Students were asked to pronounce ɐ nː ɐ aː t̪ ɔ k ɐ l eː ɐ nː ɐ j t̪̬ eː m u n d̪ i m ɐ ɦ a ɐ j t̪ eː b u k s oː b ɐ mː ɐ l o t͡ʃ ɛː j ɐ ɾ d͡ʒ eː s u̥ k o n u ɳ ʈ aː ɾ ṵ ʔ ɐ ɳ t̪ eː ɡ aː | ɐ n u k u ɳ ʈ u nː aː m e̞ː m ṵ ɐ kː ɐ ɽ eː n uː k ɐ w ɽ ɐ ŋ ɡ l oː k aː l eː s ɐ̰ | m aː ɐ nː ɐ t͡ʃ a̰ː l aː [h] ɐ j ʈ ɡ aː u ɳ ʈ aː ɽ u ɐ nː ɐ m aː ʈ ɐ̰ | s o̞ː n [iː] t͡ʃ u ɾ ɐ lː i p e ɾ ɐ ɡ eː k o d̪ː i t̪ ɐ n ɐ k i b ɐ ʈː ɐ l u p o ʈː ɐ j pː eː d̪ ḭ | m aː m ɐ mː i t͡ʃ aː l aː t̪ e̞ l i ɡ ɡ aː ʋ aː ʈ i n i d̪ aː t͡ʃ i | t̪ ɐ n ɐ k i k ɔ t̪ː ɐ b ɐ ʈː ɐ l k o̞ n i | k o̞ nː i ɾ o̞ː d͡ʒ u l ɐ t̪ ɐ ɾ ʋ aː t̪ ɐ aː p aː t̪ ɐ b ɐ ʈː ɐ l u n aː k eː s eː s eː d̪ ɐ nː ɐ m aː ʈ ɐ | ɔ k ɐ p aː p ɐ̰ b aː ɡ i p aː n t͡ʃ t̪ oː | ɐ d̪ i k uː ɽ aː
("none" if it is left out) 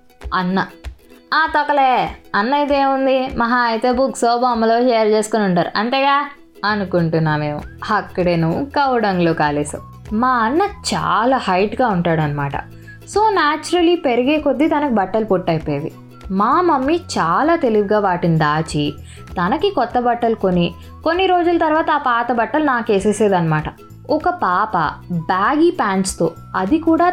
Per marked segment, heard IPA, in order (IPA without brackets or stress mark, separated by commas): h, aː